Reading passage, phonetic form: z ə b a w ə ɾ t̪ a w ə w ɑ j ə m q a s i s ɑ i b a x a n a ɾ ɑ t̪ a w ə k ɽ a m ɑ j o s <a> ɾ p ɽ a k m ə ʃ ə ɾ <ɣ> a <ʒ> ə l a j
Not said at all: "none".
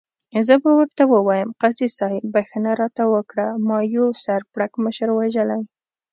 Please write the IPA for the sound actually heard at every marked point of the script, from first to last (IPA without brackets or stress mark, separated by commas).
a, w, ʒ